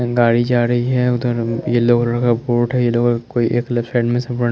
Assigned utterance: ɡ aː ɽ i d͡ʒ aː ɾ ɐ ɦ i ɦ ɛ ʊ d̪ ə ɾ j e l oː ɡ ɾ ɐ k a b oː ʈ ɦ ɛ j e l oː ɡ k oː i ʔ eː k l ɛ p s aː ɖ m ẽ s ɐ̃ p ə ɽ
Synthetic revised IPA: ɡ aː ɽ i d͡ʒ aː ɾ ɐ ɦ i ɦ ɛ ʊ d̪ ə ɾ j e l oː ɡ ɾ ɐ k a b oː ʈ ɦ ɛ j e l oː ɡ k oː i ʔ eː k l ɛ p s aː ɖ m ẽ s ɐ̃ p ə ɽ